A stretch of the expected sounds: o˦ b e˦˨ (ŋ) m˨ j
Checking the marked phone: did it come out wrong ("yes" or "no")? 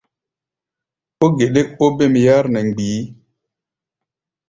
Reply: yes